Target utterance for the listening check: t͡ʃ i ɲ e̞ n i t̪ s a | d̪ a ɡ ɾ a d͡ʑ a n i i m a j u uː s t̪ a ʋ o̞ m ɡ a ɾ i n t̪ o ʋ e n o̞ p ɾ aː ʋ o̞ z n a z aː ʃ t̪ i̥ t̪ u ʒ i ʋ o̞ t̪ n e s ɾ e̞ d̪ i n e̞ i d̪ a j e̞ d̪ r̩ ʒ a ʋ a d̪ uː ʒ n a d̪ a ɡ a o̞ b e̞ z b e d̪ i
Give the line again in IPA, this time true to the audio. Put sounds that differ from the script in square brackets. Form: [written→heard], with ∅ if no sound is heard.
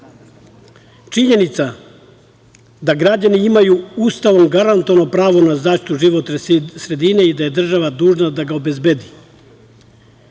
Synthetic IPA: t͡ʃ i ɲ e̞ n i t̪ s a | d̪ a ɡ ɾ a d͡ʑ a n i i m a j u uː s t̪ a ʋ o̞ m ɡ a ɾ [i→a] n t̪ o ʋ [e→a] n o̞ p ɾ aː ʋ o̞ [z→∅] n a z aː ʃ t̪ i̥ t̪ u ʒ i ʋ o̞ t̪ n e s ɾ e̞ d̪ i n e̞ i d̪ a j e̞ d̪ r̩ ʒ a ʋ a d̪ uː ʒ n a d̪ a ɡ a o̞ b e̞ z b e d̪ i

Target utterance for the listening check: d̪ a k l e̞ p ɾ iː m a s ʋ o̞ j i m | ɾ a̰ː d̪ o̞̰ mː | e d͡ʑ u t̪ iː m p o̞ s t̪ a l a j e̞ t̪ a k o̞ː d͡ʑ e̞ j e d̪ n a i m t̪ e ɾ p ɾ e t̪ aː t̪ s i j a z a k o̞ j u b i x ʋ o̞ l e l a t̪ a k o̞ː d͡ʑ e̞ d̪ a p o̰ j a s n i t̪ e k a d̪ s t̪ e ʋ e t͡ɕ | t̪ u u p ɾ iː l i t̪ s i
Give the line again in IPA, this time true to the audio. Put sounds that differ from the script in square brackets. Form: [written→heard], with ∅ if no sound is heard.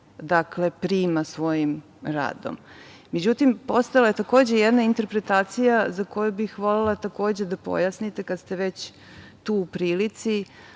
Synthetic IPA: d̪ a k l e̞ p ɾ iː m a s ʋ o̞ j i m | ɾ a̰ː d̪ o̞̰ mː | e d͡ʑ u t̪ [iː→i] m p o̞ s t̪ a l a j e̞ t̪ a k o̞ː d͡ʑ e̞ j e d̪ n a i [m→n] t̪ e ɾ p ɾ e t̪ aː t̪ s i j a z a k o̞ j u b i x ʋ o̞ l e l a t̪ a k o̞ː d͡ʑ e̞ d̪ a p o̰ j a s n i t̪ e k a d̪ s t̪ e ʋ e t͡ɕ | t̪ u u p ɾ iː l i t̪ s i

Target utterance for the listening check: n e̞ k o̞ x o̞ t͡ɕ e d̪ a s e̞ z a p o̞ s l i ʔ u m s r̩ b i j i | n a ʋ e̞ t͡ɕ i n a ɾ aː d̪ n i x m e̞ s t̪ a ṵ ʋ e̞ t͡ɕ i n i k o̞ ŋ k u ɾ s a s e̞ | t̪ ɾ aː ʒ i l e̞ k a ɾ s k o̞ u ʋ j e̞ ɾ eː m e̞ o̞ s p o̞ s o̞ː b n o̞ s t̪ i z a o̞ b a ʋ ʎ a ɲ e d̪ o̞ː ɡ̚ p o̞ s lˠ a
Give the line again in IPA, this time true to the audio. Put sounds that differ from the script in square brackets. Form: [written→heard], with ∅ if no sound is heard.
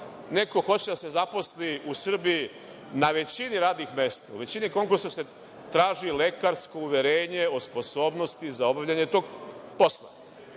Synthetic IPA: n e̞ k o̞ x o̞ t͡ɕ e d̪ a s e̞ z a p o̞ s l i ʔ u [m→∅] s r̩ b i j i | n a ʋ e̞ t͡ɕ i n [a→i] ɾ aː d̪ n i x m e̞ s t̪ a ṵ ʋ e̞ t͡ɕ i n i k o̞ ŋ k u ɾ s a s e̞ | t̪ ɾ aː ʒ i l e̞ k a ɾ s k o̞ u ʋ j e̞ ɾ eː [m→ɲ] e̞ o̞ s p o̞ s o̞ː b n o̞ s t̪ i z a o̞ b a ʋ ʎ a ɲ e [d̪→t̪] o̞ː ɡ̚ p o̞ s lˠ a

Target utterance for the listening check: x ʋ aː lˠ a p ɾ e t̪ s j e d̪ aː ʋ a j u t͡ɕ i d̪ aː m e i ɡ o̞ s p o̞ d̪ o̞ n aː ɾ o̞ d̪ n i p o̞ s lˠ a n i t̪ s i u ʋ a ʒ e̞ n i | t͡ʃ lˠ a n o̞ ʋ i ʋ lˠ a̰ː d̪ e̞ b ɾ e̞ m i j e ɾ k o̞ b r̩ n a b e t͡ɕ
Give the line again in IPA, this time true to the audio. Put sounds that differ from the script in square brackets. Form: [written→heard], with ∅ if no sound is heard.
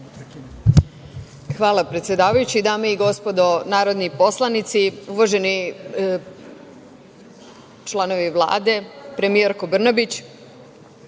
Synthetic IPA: x ʋ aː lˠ a p ɾ e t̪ s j e d̪ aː ʋ a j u t͡ɕ i d̪ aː m e i ɡ o̞ s p o̞ d̪ o̞ n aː ɾ o̞ d̪ n i p o̞ s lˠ a n i t̪ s i u ʋ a ʒ e̞ n i | t͡ʃ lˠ a n o̞ ʋ i ʋ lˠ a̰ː d̪ e̞ [b→p] ɾ e̞ m i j e ɾ k o̞ b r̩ n a b [e→i] t͡ɕ

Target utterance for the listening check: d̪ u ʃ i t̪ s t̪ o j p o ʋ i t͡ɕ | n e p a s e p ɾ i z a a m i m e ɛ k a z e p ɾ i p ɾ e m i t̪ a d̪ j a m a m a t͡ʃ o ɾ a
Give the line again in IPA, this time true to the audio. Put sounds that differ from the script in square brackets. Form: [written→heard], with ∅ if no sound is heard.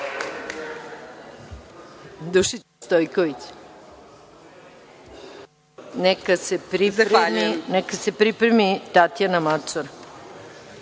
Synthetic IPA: d̪ u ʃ i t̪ s t̪ o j [p→k] o ʋ i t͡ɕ | n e [p→k] a s e p ɾ i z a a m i [m→n] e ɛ k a [z→s] e p ɾ i p ɾ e m i t̪ a [d̪→t̪] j a [m→n] a m a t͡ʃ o ɾ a

